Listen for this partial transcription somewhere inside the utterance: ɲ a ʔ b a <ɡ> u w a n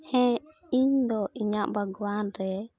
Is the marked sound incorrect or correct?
correct